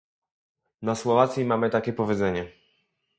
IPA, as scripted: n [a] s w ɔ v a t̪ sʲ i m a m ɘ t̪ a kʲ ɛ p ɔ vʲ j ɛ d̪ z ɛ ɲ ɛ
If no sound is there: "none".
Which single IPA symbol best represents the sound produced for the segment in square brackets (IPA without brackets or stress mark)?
a